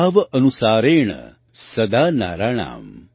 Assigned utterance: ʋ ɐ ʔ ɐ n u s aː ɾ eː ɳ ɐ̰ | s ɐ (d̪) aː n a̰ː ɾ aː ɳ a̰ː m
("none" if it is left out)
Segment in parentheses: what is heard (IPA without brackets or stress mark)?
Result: d̪